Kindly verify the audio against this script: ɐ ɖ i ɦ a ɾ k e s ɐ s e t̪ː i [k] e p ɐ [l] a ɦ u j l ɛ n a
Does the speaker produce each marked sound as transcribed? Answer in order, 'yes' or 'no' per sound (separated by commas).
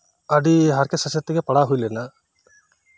no, no